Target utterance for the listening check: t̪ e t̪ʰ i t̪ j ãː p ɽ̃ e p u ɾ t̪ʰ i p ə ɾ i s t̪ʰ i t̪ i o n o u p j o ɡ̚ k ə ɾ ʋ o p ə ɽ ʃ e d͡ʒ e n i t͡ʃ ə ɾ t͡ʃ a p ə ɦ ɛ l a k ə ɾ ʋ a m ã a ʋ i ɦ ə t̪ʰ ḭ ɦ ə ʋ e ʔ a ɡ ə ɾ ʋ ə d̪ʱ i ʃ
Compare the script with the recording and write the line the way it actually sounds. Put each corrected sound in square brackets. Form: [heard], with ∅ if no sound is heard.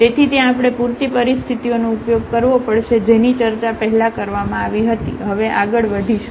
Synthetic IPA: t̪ e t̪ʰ i t̪ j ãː p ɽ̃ e p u ɾ [t̪] i p ə ɾ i s t̪ʰ i t̪ i o n o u p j o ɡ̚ k ə ɾ ʋ o p ə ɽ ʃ e d͡ʒ e n i t͡ʃ ə ɾ t͡ʃ a p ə ɦ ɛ l a k ə ɾ ʋ a m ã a ʋ i ɦ ə [t̪] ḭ ɦ ə ʋ e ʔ a ɡ ə [ɭ] ʋ ə d̪ʱ i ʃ